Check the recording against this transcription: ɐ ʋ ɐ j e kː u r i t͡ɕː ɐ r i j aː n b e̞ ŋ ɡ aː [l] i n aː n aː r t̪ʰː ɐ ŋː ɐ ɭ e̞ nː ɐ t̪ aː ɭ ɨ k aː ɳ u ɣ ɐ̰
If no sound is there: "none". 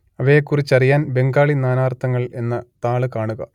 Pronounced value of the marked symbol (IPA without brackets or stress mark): ɭ